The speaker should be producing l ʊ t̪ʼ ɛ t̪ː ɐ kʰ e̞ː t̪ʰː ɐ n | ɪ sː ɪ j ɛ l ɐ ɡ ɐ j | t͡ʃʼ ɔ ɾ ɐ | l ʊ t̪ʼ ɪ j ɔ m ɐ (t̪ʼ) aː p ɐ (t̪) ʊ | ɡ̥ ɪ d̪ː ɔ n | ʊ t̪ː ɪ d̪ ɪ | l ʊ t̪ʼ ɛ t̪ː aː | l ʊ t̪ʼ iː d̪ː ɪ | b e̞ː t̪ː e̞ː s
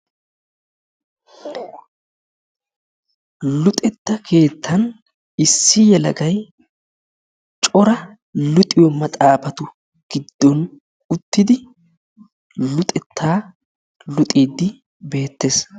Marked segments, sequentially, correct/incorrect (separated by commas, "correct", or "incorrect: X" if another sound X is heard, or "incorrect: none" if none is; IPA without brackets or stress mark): correct, correct